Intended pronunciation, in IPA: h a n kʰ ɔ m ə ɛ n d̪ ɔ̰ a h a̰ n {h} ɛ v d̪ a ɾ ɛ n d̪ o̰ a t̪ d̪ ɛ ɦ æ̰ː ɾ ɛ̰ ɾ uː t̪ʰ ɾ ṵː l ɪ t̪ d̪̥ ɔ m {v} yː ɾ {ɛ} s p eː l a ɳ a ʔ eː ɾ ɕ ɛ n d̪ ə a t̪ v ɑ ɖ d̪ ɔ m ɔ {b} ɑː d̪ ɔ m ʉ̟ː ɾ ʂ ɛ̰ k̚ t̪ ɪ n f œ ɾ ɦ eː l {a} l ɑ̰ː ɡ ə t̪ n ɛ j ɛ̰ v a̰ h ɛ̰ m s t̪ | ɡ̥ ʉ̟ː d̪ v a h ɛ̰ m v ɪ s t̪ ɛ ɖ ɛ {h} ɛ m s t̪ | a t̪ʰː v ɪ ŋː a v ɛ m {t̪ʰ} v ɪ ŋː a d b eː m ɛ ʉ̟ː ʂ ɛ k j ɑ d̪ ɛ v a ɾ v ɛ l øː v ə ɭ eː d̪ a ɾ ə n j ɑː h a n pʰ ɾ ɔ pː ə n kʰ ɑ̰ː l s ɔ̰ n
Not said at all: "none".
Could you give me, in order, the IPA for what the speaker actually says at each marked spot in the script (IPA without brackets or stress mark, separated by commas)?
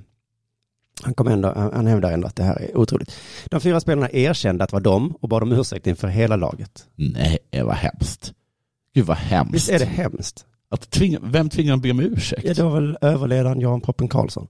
h, f, a, b, a, h, t̪ʰ